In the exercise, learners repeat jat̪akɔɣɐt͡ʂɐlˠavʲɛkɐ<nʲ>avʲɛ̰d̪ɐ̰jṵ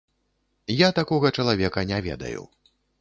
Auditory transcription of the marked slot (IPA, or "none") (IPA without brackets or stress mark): nʲ